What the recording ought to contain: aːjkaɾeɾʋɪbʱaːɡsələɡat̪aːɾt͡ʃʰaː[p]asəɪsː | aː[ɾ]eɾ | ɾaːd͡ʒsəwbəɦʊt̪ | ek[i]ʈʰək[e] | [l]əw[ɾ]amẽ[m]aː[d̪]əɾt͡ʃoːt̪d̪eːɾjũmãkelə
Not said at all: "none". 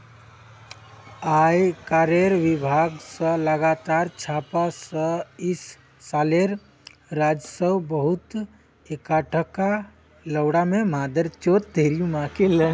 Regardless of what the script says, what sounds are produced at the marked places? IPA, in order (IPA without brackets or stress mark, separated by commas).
p, l, a, a, l, ɽ, m, d̪